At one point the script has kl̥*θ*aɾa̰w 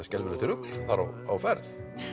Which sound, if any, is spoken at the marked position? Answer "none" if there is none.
θ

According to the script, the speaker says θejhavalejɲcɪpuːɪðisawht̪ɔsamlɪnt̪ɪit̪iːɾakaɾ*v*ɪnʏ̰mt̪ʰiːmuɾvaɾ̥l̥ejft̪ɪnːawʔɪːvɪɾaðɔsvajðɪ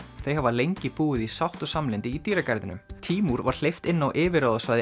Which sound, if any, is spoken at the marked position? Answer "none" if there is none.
ð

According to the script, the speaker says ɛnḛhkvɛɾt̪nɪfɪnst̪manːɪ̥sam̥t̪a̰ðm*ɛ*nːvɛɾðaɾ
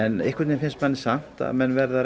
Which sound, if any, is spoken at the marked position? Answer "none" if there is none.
ɛ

